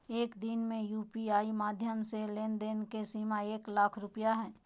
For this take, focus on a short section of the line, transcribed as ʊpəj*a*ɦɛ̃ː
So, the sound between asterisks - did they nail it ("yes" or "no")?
yes